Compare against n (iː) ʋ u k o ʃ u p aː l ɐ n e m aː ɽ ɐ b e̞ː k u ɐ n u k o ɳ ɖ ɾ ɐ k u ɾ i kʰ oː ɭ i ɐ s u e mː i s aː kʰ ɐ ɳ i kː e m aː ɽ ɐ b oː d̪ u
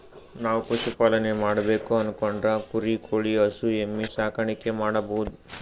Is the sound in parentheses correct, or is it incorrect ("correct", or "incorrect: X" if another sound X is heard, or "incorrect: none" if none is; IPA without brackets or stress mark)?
incorrect: aː